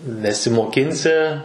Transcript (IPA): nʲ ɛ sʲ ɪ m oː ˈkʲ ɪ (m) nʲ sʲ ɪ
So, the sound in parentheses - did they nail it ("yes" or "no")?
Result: no